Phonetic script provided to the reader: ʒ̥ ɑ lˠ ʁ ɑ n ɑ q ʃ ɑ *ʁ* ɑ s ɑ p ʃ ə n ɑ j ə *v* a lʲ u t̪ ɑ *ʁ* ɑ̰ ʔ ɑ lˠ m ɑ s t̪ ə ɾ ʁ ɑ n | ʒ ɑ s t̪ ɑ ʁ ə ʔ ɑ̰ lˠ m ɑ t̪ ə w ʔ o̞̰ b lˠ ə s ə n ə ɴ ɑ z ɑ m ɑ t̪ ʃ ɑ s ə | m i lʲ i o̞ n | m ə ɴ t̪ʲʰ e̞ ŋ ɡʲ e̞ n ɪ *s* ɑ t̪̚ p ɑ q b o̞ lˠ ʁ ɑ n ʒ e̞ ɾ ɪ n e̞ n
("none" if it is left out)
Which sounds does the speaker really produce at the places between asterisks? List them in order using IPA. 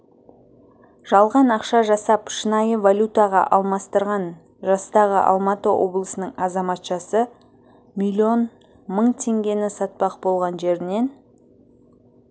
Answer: ʒ, v, ʁ, s

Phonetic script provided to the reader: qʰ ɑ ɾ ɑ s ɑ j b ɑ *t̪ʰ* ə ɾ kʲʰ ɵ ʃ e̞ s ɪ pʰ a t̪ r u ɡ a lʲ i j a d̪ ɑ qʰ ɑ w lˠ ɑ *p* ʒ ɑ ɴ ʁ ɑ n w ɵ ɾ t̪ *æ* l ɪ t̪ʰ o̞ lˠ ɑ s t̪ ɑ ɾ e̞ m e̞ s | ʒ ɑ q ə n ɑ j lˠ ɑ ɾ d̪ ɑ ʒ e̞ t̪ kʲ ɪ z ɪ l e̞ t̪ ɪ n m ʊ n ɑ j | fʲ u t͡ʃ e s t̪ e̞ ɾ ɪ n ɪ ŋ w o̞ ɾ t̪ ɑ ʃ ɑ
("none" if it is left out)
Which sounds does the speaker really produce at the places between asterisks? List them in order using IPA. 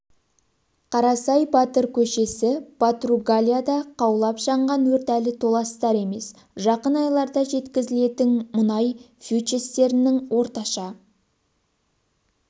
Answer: t̪, p, æ

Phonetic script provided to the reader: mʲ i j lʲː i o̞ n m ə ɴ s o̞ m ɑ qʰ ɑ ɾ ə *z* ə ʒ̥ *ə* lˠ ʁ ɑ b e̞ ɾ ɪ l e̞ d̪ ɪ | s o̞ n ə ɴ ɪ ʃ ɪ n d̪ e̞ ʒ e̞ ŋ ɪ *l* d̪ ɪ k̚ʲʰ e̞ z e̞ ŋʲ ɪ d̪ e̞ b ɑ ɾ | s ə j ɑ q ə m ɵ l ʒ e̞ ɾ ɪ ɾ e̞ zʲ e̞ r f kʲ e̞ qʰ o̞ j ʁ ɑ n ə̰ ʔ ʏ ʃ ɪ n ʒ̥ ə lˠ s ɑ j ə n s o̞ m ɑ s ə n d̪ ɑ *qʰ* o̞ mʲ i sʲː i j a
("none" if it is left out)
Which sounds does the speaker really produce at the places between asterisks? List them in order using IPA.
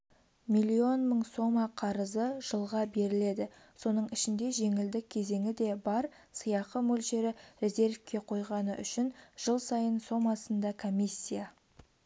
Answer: z, ə, l, kʰ

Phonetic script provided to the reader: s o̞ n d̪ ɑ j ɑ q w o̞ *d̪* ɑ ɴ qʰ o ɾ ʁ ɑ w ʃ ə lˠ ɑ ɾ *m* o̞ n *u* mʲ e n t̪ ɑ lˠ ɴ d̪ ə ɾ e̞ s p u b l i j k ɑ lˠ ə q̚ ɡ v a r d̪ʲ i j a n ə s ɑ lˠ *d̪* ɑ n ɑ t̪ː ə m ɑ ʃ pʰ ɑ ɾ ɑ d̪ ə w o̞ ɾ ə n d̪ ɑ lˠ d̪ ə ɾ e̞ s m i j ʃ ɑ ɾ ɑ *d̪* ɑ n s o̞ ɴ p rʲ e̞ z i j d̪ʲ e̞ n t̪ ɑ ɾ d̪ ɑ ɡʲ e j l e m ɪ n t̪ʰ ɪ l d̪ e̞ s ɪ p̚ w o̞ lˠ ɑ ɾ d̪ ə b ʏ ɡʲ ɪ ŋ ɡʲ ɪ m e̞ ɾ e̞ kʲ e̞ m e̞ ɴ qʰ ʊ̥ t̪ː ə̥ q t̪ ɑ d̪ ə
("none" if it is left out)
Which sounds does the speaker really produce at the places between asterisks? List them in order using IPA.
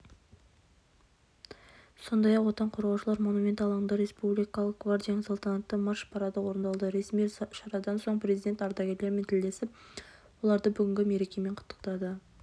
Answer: t̪, m, u, t̪, d̪

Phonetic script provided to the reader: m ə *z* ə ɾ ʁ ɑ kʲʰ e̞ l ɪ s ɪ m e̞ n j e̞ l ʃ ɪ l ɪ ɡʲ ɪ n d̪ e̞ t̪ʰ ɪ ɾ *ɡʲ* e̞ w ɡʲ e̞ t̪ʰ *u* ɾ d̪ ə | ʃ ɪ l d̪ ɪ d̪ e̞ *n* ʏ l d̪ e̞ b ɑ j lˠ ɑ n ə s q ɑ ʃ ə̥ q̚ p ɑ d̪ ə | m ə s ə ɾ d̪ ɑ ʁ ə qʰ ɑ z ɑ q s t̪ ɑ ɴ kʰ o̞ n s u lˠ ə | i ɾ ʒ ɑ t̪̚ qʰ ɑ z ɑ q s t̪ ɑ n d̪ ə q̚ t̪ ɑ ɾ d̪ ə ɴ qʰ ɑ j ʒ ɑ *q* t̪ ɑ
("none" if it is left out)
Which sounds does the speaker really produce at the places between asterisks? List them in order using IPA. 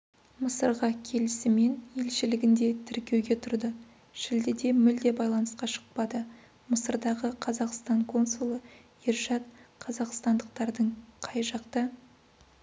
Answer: s, kʲ, ʊ, m, q

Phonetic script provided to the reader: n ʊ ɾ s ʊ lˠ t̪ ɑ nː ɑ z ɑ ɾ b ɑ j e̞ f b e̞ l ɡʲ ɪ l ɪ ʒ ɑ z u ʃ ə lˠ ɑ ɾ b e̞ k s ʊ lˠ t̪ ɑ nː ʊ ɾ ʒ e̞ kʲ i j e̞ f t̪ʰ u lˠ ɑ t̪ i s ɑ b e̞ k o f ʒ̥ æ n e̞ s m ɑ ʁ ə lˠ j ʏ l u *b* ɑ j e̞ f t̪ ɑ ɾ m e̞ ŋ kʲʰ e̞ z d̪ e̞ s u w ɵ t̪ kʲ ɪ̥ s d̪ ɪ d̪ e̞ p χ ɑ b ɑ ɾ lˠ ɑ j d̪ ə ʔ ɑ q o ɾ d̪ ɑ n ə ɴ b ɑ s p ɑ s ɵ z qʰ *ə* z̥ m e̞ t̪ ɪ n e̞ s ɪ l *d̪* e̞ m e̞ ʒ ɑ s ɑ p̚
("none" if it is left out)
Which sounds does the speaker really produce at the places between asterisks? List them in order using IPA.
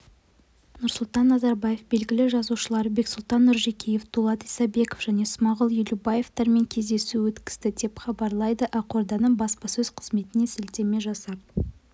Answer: b, ə, t̪

